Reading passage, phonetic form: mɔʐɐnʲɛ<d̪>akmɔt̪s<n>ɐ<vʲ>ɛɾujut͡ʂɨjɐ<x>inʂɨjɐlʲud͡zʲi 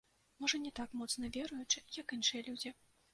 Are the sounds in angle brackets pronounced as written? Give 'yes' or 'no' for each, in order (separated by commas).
no, yes, yes, no